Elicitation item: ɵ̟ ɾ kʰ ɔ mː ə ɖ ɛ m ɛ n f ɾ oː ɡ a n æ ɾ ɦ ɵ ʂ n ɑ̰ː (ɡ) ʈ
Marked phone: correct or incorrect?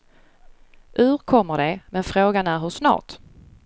incorrect